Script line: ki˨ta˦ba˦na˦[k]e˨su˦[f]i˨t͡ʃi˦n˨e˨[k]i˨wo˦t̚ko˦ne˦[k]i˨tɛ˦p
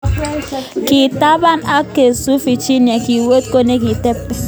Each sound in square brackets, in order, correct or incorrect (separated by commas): correct, correct, correct, correct